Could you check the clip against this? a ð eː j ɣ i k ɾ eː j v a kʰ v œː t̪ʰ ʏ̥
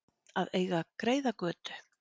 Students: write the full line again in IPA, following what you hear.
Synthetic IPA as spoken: a ð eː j ɣ a k ɾ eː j ð a k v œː t̪ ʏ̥